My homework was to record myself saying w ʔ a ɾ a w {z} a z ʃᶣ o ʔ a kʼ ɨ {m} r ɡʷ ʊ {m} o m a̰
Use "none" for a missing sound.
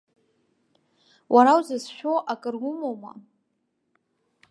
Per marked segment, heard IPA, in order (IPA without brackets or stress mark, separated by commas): z, none, m